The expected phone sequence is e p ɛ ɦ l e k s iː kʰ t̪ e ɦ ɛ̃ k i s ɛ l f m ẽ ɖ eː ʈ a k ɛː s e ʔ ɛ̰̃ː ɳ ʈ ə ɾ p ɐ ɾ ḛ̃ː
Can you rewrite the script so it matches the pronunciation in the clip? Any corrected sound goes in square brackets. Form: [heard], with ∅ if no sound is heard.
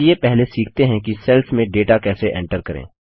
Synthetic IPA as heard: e p ɛ ɦ l e [∅] s iː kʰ t̪ e ɦ ɛ̃ k i s ɛ l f m ẽ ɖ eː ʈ a k ɛː s e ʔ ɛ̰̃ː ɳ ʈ ə ɾ [k] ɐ ɾ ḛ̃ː